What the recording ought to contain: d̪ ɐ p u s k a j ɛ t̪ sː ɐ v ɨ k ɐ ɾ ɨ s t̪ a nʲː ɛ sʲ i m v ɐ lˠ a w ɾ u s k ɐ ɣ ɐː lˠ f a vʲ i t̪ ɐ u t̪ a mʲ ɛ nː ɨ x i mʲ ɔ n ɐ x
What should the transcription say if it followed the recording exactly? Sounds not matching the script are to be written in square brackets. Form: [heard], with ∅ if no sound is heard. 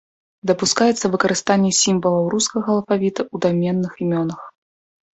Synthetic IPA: d̪ ɐ p u s k a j ɛ t̪ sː ɐ v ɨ k ɐ ɾ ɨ s t̪ a nʲː ɛ sʲ i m v ɐ lˠ [ɐ] w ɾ u s k ɐ ɣ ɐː lˠ f a vʲ i t̪ ɐ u [d̪] a mʲ ɛ nː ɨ x i mʲ ɔ n ɐ x